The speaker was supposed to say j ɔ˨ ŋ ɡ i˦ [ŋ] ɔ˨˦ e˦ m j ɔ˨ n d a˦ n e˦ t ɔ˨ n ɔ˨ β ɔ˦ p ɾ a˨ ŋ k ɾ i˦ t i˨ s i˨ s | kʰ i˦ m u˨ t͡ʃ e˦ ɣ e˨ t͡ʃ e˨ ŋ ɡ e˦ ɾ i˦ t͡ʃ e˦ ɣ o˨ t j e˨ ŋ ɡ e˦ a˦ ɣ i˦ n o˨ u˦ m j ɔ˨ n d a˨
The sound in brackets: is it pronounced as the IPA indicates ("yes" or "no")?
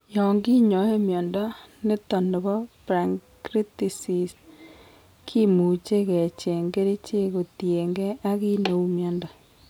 no